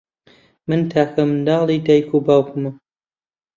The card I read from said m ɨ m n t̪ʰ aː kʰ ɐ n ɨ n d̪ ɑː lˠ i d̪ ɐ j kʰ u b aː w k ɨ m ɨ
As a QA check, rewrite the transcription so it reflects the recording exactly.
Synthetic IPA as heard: m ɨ n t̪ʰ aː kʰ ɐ m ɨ n d̪ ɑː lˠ i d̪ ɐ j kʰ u b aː w k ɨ m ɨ

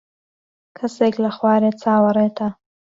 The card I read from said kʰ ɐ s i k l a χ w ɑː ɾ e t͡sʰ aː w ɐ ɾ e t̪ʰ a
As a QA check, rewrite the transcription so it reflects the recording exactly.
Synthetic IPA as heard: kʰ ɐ s e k l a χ w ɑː ɾ e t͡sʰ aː w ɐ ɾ e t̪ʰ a

